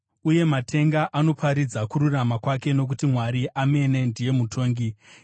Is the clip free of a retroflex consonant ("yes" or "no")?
yes